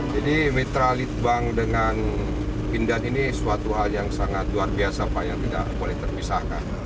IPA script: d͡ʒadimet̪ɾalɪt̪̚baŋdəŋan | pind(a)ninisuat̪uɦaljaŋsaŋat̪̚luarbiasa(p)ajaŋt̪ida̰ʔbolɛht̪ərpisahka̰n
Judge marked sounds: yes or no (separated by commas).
yes, yes